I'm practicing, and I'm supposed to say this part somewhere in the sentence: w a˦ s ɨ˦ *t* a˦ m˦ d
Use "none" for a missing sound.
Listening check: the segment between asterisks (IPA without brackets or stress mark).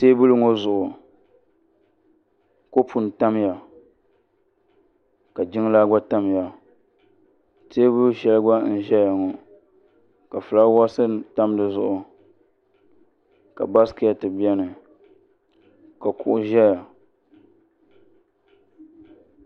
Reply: t